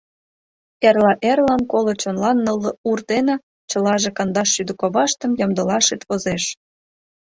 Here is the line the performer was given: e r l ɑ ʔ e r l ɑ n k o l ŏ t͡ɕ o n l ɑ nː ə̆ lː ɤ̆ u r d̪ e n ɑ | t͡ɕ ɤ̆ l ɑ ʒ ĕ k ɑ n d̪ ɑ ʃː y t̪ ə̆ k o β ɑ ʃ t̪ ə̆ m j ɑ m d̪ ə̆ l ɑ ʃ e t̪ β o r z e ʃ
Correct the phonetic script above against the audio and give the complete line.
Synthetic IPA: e r l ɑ ʔ e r l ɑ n k o l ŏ t͡ɕ o n l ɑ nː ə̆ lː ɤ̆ u r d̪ e n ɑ | t͡ɕ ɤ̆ l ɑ ʒ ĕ k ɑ n d̪ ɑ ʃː y d̪ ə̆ k o β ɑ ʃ t̪ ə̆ m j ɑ m d̪ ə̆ l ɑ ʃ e t̪ β o z e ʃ